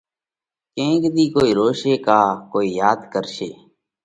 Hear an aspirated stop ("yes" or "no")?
no